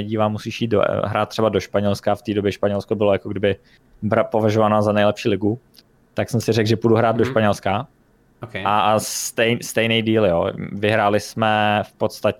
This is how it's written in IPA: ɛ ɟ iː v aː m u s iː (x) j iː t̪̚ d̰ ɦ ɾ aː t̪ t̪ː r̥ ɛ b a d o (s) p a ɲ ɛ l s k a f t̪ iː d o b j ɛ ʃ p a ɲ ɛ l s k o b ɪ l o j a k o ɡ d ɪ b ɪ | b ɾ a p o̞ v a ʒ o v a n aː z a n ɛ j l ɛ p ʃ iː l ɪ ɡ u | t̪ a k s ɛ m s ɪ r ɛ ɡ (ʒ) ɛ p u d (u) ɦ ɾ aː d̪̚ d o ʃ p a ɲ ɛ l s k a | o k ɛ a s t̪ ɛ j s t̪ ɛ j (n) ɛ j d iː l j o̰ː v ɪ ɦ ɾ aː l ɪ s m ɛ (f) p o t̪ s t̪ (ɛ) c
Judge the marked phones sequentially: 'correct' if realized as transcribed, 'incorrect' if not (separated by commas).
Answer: incorrect, incorrect, correct, correct, correct, correct, incorrect